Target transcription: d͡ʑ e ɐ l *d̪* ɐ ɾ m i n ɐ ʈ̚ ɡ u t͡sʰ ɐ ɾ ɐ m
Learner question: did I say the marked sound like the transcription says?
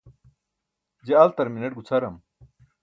no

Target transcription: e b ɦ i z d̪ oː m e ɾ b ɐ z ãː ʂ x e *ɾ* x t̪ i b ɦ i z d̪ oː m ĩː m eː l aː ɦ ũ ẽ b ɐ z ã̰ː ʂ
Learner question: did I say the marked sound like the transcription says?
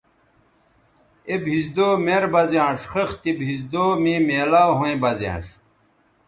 no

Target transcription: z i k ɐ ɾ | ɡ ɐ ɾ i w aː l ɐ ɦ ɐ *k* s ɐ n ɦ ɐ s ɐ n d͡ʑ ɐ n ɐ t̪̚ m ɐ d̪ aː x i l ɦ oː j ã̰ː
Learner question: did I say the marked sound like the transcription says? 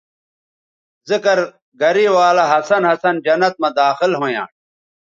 no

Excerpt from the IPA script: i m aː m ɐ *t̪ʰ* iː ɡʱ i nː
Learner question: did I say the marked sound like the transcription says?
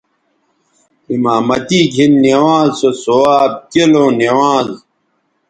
no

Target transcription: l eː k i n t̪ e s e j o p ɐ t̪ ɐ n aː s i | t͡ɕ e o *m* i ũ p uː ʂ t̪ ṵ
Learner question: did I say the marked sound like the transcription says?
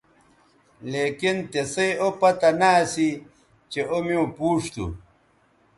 yes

